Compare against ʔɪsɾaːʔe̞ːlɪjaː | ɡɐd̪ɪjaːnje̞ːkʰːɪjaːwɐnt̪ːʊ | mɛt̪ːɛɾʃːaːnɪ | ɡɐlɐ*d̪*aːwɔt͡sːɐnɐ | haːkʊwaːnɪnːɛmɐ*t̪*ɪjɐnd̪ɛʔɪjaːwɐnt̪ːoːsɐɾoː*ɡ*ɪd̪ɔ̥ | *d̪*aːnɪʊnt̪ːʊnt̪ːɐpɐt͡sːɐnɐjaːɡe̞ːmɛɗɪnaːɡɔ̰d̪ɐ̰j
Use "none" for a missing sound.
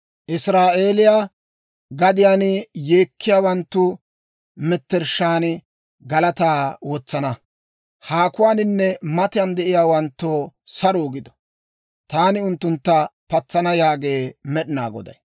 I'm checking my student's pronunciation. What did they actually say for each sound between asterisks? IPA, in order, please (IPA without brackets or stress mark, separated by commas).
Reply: t̪, t̪, ɡ, t̪